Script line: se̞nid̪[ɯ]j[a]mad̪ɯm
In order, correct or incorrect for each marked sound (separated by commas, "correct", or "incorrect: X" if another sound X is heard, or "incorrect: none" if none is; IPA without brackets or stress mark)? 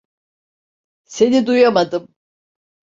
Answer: incorrect: u, correct